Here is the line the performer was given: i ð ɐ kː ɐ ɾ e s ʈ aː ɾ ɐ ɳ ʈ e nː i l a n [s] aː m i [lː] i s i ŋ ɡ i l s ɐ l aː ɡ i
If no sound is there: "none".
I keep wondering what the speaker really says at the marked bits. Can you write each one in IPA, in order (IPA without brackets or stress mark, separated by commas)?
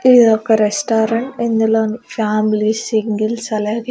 f, l